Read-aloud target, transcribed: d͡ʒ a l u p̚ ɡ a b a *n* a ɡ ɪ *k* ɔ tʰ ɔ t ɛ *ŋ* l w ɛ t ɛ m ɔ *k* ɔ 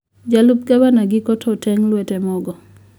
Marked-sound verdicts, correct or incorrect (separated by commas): correct, correct, correct, incorrect